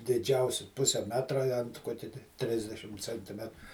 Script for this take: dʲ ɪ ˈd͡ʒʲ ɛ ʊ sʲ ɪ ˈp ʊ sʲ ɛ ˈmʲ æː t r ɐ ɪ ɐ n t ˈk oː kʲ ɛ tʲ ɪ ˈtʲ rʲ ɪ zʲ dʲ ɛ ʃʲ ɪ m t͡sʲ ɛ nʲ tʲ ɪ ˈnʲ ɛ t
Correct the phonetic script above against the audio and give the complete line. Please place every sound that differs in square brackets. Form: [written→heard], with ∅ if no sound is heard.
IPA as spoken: dʲ ɪ ˈd͡ʒʲ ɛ ʊ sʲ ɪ ˈp ʊ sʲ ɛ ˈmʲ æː t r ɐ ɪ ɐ n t ˈk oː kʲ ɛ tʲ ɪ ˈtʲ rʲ ɪ zʲ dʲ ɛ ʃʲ ɪ m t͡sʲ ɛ nʲ tʲ ɪ [ˈnʲ→ˈmʲ] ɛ t